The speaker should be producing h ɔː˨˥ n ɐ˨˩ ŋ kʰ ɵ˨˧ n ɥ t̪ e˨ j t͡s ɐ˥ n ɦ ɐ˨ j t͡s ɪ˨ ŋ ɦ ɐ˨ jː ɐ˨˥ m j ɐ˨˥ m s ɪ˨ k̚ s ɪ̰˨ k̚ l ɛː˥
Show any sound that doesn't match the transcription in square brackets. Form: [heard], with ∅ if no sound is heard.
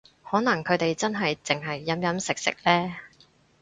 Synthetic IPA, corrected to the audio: h ɔː˨˥ n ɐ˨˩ ŋ kʰ ɵ˨˧ [∅] ɥ t̪ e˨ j t͡s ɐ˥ n ɦ ɐ˨ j t͡s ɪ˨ ŋ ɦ ɐ˨ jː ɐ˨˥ m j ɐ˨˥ m s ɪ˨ k̚ s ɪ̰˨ k̚ l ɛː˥

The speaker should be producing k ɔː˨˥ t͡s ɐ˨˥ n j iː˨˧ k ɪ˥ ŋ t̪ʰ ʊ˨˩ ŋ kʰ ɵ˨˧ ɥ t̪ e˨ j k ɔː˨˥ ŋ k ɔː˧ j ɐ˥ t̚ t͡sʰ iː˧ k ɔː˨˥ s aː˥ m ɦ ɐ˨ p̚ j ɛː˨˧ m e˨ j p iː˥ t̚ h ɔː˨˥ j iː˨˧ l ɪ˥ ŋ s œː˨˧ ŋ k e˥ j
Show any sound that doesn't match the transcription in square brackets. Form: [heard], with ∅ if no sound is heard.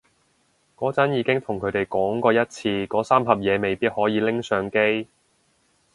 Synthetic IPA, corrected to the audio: k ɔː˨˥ t͡s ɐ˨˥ n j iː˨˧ k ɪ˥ ŋ t̪ʰ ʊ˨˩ ŋ kʰ ɵ˨˧ ɥ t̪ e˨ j k ɔː˨˥ ŋ k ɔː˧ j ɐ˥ t̚ t͡sʰ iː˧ k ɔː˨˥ s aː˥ m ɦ ɐ˨ p̚ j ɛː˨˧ m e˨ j p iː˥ t̚ h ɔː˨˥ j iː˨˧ l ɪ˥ ŋ s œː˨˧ ŋ k e˥ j

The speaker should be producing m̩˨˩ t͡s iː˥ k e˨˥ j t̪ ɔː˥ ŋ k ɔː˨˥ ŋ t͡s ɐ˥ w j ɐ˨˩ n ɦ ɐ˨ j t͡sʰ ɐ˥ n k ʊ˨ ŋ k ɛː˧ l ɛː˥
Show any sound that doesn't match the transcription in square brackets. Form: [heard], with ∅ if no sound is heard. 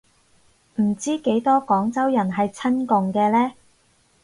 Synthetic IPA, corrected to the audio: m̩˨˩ t͡s iː˥ k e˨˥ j t̪ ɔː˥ [∅] k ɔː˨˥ ŋ t͡s ɐ˥ w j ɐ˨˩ n ɦ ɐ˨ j t͡sʰ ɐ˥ n k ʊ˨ ŋ k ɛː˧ l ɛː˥

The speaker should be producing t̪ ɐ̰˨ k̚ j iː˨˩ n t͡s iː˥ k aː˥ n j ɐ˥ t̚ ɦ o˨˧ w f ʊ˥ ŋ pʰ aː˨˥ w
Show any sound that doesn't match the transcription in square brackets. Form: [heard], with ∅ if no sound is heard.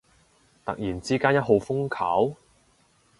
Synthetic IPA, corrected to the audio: t̪ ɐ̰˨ k̚ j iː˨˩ n t͡s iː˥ k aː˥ n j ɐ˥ t̚ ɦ o˨˧ w f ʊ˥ ŋ [kʰ] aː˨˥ w

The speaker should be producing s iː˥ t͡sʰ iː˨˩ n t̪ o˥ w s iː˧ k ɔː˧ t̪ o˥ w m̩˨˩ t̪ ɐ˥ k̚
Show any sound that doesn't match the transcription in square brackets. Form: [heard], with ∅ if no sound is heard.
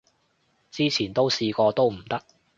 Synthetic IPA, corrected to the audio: [t͡s] iː˥ t͡sʰ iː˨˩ n t̪ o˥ w s iː˧ k ɔː˧ t̪ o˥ w m̩˨˩ t̪ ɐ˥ k̚

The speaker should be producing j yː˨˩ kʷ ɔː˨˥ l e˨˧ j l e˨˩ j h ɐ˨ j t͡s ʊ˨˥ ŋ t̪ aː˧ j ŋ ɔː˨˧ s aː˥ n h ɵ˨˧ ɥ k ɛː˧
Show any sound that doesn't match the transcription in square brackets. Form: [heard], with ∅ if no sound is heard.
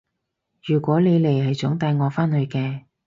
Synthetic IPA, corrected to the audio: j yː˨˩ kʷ ɔː˨˥ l e˨˧ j l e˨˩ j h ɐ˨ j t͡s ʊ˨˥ ŋ t̪ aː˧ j ŋ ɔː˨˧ [f] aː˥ n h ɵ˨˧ ɥ k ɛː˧

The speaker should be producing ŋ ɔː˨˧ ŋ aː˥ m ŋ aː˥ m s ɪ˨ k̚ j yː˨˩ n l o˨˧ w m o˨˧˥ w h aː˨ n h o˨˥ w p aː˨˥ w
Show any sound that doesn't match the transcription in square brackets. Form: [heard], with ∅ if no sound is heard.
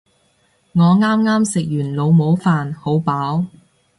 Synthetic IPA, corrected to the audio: ŋ ɔː˨˧ ŋ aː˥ m ŋ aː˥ m s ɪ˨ k̚ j yː˨˩ n l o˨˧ w m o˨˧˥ w [f] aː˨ n h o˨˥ w p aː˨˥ w

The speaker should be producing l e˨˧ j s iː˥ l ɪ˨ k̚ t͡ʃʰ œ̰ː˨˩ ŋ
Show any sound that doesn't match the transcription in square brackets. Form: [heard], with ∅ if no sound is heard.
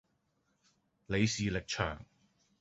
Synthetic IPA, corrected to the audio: l e˨˧ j s [iː˨] l ɪ˨ k̚ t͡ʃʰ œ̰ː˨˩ ŋ

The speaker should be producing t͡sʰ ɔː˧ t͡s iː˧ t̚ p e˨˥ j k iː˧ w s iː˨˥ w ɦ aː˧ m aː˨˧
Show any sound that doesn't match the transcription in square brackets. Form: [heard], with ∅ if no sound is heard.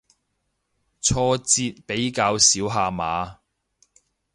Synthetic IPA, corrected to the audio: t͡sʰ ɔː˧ t͡s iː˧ t̚ p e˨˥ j k [aː˧] w s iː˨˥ w ɦ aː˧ m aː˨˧

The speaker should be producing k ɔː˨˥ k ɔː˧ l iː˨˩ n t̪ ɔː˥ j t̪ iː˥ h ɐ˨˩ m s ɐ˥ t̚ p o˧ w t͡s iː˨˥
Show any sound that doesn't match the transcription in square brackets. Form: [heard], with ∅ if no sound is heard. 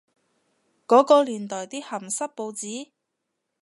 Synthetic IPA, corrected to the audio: k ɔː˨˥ k ɔː˧ l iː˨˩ n t̪ [ɔː˨˩] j t̪ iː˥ h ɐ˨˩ m s ɐ˥ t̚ p o˧ w t͡s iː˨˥

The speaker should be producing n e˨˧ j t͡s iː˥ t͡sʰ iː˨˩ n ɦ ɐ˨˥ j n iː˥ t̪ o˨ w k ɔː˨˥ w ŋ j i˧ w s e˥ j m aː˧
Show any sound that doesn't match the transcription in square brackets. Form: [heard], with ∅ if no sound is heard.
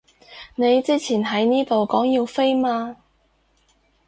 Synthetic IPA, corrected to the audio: n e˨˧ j t͡s iː˥ t͡sʰ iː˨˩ n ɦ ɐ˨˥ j n iː˥ t̪ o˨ w k ɔː˨˥ [∅] ŋ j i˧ w [f] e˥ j m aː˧

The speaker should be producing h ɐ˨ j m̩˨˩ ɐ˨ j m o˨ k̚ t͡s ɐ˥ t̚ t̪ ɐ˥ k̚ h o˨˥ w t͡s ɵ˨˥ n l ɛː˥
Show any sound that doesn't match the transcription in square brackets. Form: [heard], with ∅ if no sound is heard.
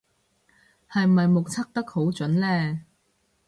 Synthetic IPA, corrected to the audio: h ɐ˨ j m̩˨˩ ɐ˨ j m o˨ k̚ [t͡sʰ] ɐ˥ [k̚] t̪ ɐ˥ k̚ h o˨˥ w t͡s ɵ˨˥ n l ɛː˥

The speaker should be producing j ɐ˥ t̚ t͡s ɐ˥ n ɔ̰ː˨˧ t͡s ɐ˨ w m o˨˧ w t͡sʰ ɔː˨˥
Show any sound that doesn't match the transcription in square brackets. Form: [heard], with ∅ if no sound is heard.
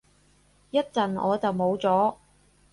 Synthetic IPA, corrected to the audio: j ɐ˥ t̚ t͡s [ɐ˨] n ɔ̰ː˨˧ t͡s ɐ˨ w m o˨˧ w [t͡s] ɔː˨˥

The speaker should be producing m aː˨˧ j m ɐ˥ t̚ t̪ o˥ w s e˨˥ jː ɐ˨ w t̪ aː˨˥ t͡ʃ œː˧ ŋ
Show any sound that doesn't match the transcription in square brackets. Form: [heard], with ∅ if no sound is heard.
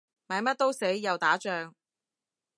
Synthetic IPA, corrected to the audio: m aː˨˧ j m ɐ˥ t̚ t̪ o˥ w s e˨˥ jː ɐ˨ w t̪ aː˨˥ t͡ʃ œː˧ ŋ

